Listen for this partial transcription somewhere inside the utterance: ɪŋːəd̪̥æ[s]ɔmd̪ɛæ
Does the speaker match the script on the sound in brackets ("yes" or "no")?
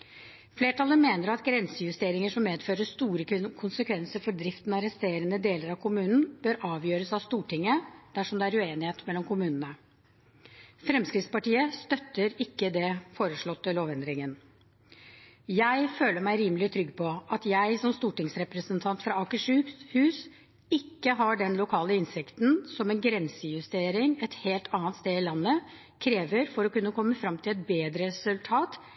no